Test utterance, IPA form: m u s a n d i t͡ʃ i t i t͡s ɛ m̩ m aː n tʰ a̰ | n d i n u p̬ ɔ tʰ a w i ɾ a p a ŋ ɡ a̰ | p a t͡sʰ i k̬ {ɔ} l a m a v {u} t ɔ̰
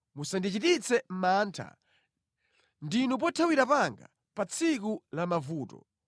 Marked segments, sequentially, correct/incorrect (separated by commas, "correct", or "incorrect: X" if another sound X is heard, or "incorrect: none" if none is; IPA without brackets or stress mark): incorrect: u, incorrect: uː